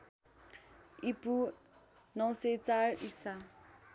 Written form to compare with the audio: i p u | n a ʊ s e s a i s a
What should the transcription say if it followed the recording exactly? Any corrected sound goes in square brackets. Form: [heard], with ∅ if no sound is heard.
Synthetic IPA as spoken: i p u | n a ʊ s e [t͡s] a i s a